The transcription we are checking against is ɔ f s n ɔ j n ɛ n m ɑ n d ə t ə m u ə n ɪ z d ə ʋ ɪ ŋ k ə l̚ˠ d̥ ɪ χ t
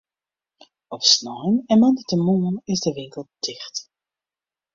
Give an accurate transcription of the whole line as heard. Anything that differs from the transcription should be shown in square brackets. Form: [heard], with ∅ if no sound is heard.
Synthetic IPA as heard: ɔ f s n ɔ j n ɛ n m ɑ n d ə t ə m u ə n ɪ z d ə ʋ ɪ ŋ k ə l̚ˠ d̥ ɪ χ t